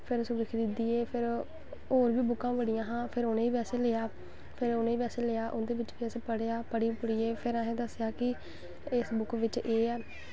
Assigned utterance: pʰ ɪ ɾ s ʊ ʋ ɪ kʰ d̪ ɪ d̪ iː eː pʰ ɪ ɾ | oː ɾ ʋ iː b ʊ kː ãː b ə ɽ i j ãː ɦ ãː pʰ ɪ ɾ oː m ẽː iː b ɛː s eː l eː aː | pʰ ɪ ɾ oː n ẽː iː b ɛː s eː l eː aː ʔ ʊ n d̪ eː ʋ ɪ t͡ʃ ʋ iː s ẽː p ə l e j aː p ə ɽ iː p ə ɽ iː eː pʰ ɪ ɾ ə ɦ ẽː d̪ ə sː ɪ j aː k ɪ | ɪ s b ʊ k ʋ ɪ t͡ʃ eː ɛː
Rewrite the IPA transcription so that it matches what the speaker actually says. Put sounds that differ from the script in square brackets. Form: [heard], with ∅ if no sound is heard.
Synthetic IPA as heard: pʰ ɪ ɾ s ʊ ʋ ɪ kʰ d̪ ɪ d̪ iː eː pʰ ɪ ɾ | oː ɾ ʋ iː b ʊ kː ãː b ə ɽ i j ãː ɦ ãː pʰ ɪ ɾ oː [n] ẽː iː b ɛː s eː l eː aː | pʰ ɪ ɾ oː n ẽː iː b ɛː s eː l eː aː ʔ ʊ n d̪ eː ʋ ɪ t͡ʃ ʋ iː s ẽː p ə [ɽ] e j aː p ə ɽ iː p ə ɽ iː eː pʰ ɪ ɾ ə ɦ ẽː d̪ ə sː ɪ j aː k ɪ | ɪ s b ʊ k ʋ ɪ t͡ʃ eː ɛː